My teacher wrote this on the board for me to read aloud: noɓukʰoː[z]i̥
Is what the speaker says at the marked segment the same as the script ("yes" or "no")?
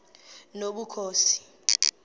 no